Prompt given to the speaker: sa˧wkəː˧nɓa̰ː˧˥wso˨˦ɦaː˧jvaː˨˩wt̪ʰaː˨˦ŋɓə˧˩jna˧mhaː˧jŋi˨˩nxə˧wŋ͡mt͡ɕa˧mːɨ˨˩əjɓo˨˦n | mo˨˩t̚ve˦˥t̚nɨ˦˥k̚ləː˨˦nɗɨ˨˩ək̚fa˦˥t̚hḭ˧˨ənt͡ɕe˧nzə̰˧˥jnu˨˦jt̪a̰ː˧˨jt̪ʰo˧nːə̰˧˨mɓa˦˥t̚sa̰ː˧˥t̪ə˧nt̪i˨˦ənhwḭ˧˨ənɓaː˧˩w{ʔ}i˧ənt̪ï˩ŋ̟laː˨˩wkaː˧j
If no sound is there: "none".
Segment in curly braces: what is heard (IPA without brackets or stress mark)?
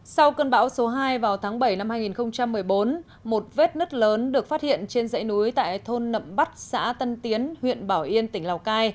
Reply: ʔ